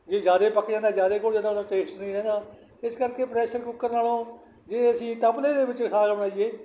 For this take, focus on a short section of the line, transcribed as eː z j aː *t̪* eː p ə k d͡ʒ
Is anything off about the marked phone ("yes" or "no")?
yes